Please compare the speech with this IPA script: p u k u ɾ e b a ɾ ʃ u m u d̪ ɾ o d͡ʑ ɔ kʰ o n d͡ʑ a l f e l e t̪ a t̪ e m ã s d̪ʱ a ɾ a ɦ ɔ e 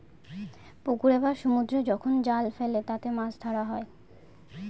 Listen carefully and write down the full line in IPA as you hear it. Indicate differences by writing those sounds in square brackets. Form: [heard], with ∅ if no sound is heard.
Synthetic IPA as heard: p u k u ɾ e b a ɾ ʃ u m u d̪ ɾ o d͡ʑ ɔ kʰ o n d͡ʑ a l f e l e t̪ a t̪ e m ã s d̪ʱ a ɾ a ɦ ɔ e